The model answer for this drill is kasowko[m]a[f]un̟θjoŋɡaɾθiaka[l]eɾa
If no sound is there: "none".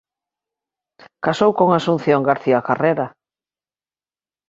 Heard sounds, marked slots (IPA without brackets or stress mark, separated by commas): ŋ, s, r